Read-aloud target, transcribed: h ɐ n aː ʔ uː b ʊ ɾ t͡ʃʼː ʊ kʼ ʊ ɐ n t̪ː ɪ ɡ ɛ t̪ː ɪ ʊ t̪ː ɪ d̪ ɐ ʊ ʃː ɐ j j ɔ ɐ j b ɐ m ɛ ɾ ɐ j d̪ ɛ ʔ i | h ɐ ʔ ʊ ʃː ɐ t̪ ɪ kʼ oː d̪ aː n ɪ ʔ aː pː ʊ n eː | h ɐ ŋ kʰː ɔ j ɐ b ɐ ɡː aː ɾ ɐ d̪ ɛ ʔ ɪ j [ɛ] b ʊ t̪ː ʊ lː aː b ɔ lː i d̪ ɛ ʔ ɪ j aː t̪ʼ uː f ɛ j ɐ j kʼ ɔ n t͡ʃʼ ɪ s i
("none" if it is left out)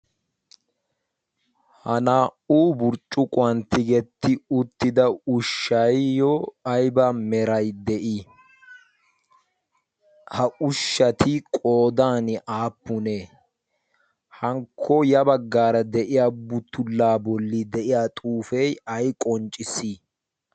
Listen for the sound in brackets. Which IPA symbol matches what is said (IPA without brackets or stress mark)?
a